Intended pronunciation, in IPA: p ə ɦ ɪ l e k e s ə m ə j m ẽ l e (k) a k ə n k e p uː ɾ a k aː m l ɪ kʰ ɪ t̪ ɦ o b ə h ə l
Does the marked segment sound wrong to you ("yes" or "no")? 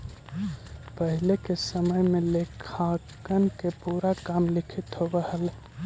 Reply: yes